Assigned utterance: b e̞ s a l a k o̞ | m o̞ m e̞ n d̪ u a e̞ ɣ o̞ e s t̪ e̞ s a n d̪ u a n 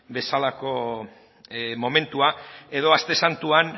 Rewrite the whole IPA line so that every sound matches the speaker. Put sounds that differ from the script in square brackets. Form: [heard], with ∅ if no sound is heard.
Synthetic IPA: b e̞ s a l a k o̞ | m o̞ m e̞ n [t̪] u a e̞ [ð] o̞ [a] s t̪ e̞ s a n [t̪] u a n

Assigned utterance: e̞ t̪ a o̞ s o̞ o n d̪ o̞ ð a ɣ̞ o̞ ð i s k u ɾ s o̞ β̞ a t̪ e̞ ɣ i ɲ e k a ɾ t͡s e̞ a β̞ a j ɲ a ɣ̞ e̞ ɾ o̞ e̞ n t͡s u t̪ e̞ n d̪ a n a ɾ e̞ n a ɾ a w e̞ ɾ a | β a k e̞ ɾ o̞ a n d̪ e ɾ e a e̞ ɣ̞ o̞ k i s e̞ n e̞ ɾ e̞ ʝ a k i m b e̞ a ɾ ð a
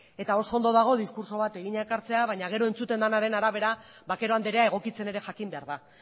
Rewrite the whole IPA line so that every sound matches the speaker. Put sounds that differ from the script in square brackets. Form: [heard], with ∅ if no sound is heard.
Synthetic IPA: e̞ t̪ a o̞ s o̞ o n d̪ o̞ ð a ɣ̞ o̞ ð i s k u ɾ s o̞ β̞ a t̪ e̞ ɣ i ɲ e k a ɾ t͡s e̞ a β̞ a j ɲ a ɣ̞ e̞ ɾ o̞ e̞ n t͡s u t̪ e̞ n d̪ a n a ɾ e̞ n a ɾ a [β] e̞ ɾ a | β a k e̞ ɾ o̞ a n d̪ e ɾ e a e̞ ɣ̞ o̞ k i [t͡s] e̞ n e̞ ɾ e̞ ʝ a k i m b e̞ a ɾ ð a

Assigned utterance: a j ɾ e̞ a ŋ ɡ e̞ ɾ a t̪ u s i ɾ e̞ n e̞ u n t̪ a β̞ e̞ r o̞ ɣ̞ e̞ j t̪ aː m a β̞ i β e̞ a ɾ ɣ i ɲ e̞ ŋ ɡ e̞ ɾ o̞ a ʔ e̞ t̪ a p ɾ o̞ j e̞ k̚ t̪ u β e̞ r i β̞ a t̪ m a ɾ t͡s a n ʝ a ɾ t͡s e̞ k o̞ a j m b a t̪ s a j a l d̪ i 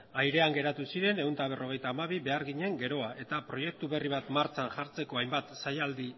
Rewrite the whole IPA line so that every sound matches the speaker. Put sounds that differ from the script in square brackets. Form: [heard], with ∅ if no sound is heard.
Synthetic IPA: a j ɾ e̞ a ŋ ɡ e̞ ɾ a t̪ u s i ɾ e̞ n e̞ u n t̪ a β̞ e̞ r o̞ ɣ̞ e̞ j t̪ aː m a β̞ i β e̞ a ɾ ɣ i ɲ e̞ ŋ ɡ e̞ ɾ o̞ a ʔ e̞ t̪ a p ɾ o̞ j e̞ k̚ t̪ u β e̞ r i β̞ a t̪ m a ɾ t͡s a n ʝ a ɾ t͡s e̞ k o̞ a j m b a t̪ s a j a l d̪ i

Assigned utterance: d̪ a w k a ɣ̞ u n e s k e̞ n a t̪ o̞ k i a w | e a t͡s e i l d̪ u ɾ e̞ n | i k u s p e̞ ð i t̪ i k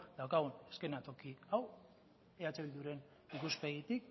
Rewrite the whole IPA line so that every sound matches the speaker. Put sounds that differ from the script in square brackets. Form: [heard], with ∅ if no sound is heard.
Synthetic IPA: d̪ a w k a ɣ̞ u n e s k e̞ n a t̪ o̞ k i a w | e a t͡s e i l d̪ u ɾ e̞ n | i k u s p e̞ [ɣ] i t̪ i k

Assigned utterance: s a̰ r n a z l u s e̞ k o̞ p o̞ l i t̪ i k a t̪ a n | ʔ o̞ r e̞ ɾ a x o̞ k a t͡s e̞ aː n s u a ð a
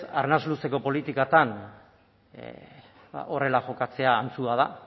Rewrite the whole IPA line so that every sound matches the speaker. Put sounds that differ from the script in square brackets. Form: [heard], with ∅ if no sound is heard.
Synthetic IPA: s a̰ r n a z l u s e̞ k o̞ p o̞ l i t̪ i k a t̪ a n | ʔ o̞ r e̞ [l] a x o̞ k a t͡s e̞ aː n [t͡s] u a ð a

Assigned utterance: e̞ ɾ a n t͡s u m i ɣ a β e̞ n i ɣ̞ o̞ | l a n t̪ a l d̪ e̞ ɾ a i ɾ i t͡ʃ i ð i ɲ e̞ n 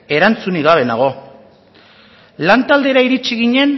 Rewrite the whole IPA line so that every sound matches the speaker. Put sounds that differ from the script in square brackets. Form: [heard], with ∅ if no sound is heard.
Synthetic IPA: e̞ ɾ a n t͡s u [n] i ɣ a β e̞ n [a] ɣ̞ o̞ | l a n t̪ a l d̪ e̞ ɾ a i ɾ i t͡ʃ i [ɣ] i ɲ e̞ n

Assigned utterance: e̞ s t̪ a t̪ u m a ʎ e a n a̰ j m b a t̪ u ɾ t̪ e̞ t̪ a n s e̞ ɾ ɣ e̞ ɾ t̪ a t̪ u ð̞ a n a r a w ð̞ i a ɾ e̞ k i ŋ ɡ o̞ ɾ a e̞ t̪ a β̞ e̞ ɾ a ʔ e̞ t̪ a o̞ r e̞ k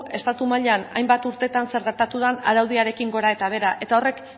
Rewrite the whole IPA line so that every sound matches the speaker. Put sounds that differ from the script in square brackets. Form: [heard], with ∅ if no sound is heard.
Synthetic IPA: e̞ s t̪ a t̪ u m a ʎ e a n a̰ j m b a t̪ u ɾ t̪ e̞ t̪ a n s e̞ ɾ ɣ e̞ ɾ t̪ a t̪ u ð̞ a n a [ɾ] a w ð̞ i a ɾ e̞ k i ŋ ɡ o̞ ɾ a e̞ t̪ a β̞ e̞ ɾ a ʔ e̞ t̪ a o̞ r e̞ k

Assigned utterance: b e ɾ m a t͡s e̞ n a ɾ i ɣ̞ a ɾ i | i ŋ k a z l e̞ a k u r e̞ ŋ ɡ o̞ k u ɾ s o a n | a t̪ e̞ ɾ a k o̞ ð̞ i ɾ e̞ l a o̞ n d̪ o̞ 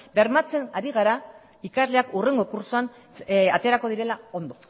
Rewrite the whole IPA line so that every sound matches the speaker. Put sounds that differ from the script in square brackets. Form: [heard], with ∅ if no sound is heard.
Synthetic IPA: b e ɾ m a t͡s e̞ n a ɾ i ɣ̞ a ɾ [a] | i [∅] k a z l e̞ a k u r e̞ ŋ ɡ o̞ k u ɾ s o a n | a t̪ e̞ ɾ a k o̞ ð̞ i ɾ e̞ l a o̞ n d̪ o̞

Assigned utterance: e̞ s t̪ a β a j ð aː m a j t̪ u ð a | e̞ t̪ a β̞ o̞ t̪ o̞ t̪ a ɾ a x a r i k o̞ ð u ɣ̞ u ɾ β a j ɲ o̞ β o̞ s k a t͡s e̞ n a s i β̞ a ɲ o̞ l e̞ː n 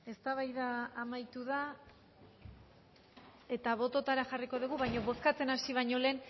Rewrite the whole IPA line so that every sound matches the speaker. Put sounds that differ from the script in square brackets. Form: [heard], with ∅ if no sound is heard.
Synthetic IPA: e̞ s t̪ a β a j ð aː m a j t̪ u ð a | e̞ t̪ a β̞ o̞ t̪ o̞ t̪ a ɾ a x a r i k o̞ ð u ɣ̞ u [∅] β a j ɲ o̞ β o̞ s k a t͡s e̞ n a s i β̞ a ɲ o̞ l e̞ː n

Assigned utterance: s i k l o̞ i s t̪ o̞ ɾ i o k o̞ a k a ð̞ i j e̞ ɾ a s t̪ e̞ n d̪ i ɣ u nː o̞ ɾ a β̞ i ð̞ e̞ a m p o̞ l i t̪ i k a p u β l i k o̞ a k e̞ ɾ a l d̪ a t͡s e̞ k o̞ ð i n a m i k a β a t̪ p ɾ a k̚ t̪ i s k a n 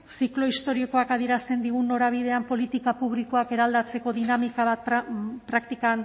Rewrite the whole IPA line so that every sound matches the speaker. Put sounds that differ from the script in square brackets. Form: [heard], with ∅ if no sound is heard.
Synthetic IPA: s i k l o̞ i s t̪ o̞ ɾ i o k o̞ a k a ð̞ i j e̞ ɾ a s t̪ e̞ n d̪ i ɣ u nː o̞ ɾ a β̞ i ð̞ e̞ a m p o̞ l i t̪ i k a p u β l i k o̞ a k e̞ ɾ a l d̪ a t͡s e̞ k o̞ ð i n a m i k a β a t̪ p ɾ a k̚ t̪ i [∅] k a n

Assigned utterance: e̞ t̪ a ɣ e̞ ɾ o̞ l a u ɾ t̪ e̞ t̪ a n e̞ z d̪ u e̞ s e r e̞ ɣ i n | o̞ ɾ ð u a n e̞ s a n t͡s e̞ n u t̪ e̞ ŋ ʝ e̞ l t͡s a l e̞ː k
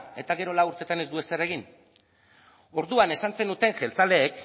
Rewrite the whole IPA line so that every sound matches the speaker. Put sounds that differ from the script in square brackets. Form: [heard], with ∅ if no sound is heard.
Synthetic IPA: e̞ t̪ a ɣ e̞ ɾ o̞ l a u ɾ t̪ e̞ t̪ a n e̞ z d̪ u e̞ s e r e̞ ɣ i n | o̞ ɾ ð u a n e̞ s a n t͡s e̞ n u t̪ e̞ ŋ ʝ e̞ l t͡s a l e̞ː k

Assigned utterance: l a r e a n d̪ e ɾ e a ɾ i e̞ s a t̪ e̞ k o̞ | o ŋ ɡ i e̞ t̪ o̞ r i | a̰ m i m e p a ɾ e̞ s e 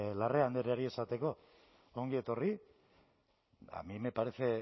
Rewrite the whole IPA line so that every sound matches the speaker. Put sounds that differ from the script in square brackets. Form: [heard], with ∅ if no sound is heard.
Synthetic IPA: l a r e a n d̪ e ɾ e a ɾ i e̞ s a t̪ e̞ k o̞ | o ŋ ɡ i e̞ t̪ o̞ r i | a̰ m i m e p a ɾ e̞ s e

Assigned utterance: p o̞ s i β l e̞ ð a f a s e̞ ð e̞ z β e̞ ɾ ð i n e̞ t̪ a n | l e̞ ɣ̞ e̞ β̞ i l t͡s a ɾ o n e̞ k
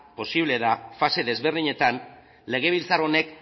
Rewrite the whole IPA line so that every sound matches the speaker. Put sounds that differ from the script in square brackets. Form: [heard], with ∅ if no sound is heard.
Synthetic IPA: p o̞ s i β l e̞ ð a f a s e̞ ð e̞ z β e̞ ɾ ð i [ɲ] e̞ t̪ a n | l e̞ ɣ̞ e̞ β̞ i l t͡s a ɾ o n e̞ k

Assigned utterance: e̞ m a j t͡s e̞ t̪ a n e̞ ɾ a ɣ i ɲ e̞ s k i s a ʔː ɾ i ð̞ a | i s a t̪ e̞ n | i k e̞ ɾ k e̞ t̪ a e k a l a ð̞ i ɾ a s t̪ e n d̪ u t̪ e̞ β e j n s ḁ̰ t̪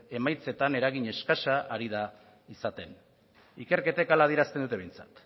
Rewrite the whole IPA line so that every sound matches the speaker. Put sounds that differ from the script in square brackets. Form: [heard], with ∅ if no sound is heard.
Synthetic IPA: e̞ m a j t͡s e̞ t̪ a n e̞ ɾ a ɣ i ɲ e̞ s k [a] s a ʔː ɾ i ð̞ a | i s a t̪ e̞ n | i k e̞ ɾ k e̞ t̪ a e k a l a ð̞ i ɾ a s t̪ e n d̪ u t̪ e̞ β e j n [t͡s] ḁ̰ t̪

